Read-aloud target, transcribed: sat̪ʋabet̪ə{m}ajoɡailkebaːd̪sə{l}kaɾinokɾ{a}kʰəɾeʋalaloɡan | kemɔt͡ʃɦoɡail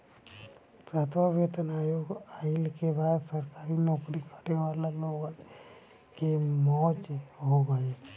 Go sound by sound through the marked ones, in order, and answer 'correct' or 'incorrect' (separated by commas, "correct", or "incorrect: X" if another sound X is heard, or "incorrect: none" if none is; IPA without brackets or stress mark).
incorrect: n, incorrect: ɾ, incorrect: i